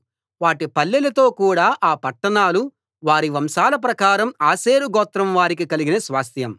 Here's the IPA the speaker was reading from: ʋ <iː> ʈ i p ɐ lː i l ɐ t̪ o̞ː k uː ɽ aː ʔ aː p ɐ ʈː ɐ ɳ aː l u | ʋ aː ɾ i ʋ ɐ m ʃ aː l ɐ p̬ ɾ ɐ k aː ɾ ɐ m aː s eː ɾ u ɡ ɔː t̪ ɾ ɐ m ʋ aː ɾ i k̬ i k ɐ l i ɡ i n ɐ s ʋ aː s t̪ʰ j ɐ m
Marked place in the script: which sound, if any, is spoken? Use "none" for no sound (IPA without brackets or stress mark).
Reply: aː